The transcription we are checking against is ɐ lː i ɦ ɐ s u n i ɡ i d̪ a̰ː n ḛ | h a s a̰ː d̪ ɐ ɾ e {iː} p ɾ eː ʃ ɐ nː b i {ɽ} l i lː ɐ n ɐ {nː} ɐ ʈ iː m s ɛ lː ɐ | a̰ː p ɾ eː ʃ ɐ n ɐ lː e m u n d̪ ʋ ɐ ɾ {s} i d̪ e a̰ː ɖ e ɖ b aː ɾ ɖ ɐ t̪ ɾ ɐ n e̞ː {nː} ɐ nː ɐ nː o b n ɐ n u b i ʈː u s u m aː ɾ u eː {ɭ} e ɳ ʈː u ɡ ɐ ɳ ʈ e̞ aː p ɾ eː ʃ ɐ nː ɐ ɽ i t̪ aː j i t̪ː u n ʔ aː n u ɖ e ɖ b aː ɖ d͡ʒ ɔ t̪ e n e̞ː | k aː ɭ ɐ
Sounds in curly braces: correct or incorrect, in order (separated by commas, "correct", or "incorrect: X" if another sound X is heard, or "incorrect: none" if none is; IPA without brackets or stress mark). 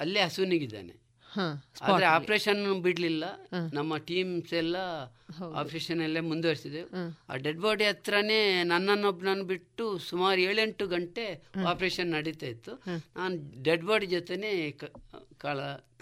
incorrect: aː, correct, incorrect: mː, correct, incorrect: n, correct